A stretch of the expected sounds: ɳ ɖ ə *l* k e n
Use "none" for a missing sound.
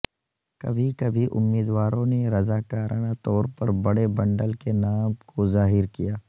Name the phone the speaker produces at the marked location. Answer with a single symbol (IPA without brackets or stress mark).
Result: l